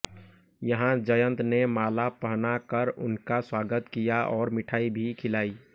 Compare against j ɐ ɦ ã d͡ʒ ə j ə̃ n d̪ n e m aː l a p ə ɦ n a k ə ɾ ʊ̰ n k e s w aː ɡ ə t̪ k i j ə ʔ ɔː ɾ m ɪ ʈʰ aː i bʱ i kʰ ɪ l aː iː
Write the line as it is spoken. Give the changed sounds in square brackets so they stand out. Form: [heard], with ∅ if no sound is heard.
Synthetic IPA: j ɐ ɦ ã d͡ʒ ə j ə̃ n [t̪] n e m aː l a p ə ɦ n a k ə ɾ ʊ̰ n k [a] s w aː ɡ ə t̪ k i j [a] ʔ ɔː ɾ m ɪ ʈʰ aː i bʱ i kʰ ɪ l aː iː